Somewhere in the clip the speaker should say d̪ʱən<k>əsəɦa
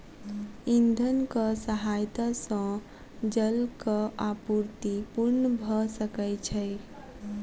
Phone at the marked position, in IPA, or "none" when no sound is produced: k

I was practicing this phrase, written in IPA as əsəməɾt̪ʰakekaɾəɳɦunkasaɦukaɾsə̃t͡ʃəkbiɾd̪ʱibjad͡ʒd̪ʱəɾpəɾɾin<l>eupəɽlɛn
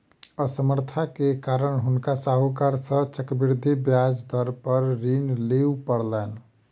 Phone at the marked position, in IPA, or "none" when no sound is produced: l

